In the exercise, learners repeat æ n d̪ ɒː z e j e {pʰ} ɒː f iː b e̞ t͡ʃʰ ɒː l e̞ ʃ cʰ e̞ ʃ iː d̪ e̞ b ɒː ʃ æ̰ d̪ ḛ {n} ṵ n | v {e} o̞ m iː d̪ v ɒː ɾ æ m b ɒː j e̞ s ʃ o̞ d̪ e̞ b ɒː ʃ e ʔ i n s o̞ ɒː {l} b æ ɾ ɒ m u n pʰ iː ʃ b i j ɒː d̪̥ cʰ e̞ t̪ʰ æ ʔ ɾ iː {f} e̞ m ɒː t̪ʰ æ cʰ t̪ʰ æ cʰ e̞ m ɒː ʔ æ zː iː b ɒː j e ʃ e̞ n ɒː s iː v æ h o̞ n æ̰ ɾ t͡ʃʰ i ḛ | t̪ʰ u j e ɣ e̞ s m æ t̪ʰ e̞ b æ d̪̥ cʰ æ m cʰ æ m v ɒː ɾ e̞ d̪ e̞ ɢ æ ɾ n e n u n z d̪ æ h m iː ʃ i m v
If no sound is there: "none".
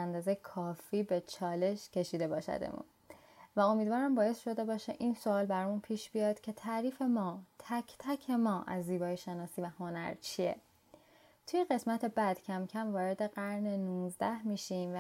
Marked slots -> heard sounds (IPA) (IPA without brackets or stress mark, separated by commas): kʰ, m, æ, l, f